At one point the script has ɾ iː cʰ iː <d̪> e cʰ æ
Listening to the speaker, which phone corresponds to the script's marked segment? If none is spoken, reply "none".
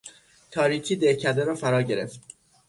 d̪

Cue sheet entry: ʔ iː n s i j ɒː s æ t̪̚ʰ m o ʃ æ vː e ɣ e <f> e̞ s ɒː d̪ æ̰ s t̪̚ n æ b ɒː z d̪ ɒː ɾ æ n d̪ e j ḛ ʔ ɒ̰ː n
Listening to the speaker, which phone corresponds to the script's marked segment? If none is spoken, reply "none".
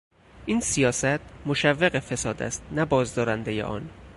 f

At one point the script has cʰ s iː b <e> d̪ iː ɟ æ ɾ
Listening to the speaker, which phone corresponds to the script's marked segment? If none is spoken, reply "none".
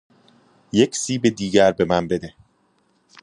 e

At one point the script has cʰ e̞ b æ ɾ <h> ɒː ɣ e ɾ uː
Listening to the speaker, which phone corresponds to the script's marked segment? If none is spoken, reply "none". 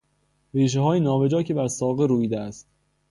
s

